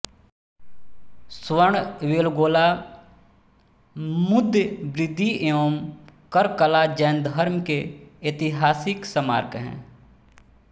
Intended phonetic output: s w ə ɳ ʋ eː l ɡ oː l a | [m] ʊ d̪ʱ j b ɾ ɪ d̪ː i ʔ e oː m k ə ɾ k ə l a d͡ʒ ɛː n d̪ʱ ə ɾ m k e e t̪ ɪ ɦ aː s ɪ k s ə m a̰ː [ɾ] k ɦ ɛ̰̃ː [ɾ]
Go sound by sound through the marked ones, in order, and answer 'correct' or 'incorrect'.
correct, correct, incorrect: none

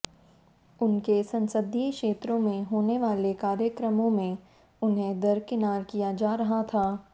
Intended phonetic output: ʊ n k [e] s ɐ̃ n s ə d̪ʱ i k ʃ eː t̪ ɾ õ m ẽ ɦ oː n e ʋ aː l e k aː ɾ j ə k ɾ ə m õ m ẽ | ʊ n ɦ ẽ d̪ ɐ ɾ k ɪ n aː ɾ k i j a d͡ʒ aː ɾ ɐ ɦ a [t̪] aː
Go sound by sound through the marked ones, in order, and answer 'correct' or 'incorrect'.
correct, incorrect: t̪ʰ

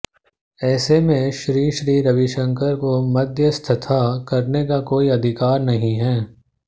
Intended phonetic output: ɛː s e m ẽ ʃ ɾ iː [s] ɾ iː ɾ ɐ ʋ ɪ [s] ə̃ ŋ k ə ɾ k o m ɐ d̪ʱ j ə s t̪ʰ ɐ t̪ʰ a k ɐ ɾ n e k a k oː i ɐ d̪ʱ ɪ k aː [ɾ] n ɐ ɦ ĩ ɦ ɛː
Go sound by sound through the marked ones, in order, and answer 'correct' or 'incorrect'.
incorrect: ʃ, incorrect: ʃ, correct

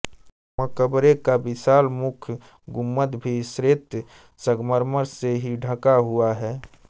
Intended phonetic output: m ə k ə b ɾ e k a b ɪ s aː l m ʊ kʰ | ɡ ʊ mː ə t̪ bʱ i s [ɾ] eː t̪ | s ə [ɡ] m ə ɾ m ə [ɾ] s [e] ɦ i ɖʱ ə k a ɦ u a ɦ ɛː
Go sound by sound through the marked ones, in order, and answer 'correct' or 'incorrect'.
correct, correct, correct, correct

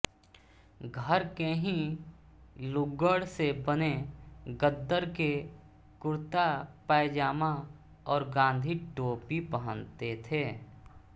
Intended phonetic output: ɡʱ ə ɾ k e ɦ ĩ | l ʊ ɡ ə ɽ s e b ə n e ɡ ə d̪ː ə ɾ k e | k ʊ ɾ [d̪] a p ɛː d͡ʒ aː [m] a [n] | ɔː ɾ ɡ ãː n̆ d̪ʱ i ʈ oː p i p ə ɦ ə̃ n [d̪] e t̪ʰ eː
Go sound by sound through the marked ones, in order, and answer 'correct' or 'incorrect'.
incorrect: t̪, correct, incorrect: none, incorrect: t̪

